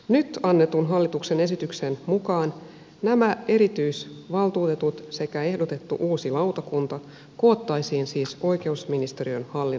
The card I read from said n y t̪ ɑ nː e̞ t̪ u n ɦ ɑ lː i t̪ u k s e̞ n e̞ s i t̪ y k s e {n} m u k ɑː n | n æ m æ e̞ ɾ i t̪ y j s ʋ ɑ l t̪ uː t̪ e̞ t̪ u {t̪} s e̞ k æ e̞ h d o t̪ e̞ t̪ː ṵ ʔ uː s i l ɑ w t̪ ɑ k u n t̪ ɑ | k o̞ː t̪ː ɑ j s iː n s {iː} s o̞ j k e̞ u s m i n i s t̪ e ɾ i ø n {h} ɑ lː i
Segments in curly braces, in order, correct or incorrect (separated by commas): correct, correct, correct, correct